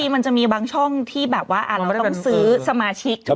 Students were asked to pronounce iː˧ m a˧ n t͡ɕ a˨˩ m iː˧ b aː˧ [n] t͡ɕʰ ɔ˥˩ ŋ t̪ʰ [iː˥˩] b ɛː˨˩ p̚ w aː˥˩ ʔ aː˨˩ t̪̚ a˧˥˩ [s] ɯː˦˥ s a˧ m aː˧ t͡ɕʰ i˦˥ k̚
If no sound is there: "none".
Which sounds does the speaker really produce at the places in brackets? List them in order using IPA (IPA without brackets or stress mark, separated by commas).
ŋ, iː˥˩, s